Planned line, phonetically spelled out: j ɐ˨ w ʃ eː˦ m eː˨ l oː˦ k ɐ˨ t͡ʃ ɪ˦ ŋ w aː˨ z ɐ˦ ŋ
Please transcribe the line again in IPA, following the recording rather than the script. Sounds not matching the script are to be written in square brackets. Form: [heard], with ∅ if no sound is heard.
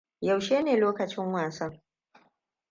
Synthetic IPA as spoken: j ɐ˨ w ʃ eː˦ [n] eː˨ l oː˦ k ɐ˨ t͡ʃ ɪ˦ ŋ w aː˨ [s] ɐ˦ ŋ